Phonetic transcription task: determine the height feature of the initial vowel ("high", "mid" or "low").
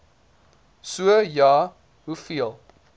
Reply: high